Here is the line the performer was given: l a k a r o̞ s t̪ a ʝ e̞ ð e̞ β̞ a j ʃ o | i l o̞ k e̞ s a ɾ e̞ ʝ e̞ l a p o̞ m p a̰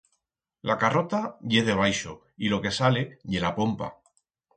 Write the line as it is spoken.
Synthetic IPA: l a k a r o̞ t̪ a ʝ e̞ ð e̞ β̞ a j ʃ o | i l o̞ k e̞ s a l e̞ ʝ e̞ l a p o̞ m p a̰